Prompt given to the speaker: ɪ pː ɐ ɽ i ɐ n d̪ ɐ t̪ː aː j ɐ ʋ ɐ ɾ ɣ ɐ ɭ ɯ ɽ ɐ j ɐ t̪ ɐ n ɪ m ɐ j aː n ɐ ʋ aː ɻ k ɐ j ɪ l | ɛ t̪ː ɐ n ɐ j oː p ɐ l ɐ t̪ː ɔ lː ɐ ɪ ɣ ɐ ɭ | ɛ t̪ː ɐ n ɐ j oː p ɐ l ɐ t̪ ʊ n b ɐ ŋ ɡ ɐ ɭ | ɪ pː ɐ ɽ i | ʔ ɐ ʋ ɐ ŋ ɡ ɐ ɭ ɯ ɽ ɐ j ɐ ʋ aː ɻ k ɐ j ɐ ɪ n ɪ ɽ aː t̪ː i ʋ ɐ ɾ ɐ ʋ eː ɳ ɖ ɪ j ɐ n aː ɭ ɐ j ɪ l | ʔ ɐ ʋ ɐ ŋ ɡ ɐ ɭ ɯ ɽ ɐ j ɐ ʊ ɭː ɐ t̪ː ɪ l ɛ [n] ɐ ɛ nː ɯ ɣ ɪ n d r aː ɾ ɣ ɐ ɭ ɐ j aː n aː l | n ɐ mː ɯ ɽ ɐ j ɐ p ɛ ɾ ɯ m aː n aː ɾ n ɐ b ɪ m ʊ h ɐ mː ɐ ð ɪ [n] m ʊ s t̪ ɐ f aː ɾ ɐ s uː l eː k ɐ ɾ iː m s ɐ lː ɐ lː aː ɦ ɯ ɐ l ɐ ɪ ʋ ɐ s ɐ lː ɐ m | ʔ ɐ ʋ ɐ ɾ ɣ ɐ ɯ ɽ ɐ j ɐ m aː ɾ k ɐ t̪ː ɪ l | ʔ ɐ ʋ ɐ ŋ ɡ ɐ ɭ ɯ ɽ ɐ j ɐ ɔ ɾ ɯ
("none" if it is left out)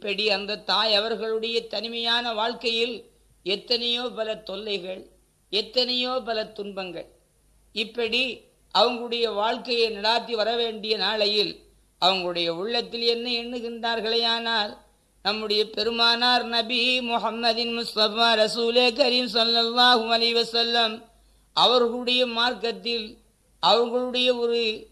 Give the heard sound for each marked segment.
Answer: nː, n

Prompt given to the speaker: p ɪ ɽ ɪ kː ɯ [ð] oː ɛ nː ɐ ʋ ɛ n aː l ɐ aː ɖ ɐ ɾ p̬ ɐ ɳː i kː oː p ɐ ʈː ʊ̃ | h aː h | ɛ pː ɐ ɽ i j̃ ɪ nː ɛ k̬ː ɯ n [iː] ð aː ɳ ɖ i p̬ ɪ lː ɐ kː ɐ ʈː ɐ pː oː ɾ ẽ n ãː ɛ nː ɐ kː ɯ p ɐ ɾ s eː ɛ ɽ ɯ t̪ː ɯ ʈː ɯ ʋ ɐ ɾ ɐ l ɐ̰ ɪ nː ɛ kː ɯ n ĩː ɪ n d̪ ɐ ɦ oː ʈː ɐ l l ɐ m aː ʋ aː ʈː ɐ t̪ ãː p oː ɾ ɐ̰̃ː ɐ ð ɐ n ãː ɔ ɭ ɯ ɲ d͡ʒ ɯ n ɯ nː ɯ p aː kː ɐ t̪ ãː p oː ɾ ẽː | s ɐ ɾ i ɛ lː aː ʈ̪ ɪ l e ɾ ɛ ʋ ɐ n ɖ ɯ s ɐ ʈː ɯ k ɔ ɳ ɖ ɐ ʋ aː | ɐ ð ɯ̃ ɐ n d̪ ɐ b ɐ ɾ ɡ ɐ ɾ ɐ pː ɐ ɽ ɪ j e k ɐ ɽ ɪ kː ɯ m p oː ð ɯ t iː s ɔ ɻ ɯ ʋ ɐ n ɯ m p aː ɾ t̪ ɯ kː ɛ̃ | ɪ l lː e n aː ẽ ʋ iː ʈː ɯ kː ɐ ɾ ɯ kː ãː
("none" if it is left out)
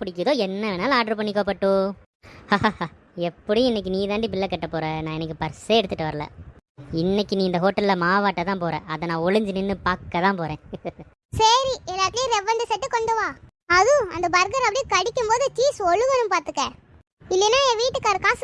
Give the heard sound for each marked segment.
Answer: ð, iː

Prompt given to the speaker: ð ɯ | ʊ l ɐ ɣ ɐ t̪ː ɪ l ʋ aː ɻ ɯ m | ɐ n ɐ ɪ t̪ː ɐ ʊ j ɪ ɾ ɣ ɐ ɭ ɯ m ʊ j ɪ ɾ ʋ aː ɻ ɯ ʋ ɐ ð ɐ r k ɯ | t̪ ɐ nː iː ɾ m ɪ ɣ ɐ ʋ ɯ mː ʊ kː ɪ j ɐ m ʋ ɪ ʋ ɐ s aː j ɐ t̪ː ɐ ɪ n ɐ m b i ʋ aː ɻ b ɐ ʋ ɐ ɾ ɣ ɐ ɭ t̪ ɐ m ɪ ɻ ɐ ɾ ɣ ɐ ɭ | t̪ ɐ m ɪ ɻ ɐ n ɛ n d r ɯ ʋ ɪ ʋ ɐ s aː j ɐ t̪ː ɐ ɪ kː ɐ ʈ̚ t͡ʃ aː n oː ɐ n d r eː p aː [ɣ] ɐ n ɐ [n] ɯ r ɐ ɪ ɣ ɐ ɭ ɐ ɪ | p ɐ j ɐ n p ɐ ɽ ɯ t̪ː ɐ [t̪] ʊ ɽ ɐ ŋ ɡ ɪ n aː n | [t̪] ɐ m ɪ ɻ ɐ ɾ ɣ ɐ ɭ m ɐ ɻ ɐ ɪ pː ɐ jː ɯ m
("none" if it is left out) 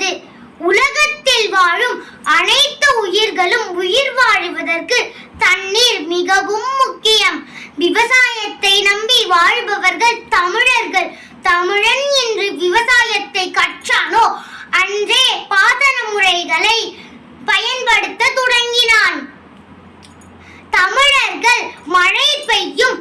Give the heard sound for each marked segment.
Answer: ð, m, t̪, t̪

